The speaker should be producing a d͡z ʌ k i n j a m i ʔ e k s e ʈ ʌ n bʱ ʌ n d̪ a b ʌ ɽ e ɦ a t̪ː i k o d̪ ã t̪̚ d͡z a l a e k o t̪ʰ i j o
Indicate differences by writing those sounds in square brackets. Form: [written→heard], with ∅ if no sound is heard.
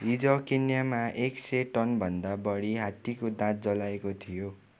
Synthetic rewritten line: [a→i] d͡z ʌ k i n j a m [i→a] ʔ e k s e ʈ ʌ n bʱ ʌ n d̪ a b ʌ ɽ [e→i] ɦ a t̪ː i k o d̪ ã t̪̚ d͡z [a→ʌ] l a e k o t̪ʰ i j o